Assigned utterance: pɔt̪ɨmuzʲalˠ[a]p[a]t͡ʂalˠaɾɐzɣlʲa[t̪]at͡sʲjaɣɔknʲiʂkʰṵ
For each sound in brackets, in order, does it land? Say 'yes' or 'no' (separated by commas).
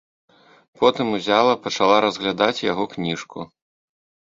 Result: no, no, no